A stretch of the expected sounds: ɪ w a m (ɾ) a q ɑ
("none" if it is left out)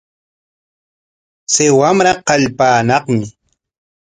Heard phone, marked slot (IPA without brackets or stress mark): ɾ